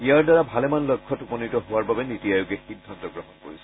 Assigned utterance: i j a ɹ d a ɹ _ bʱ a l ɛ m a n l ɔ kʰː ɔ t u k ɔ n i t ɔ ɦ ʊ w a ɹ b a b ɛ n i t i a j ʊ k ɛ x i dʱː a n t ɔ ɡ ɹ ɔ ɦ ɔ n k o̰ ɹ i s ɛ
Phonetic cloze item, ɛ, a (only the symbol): a